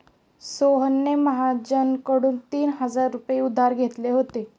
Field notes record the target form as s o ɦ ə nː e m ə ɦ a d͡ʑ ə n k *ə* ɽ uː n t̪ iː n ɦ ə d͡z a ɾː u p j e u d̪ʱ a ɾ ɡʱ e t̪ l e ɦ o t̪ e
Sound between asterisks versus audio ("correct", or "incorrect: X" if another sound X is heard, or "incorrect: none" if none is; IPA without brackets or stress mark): correct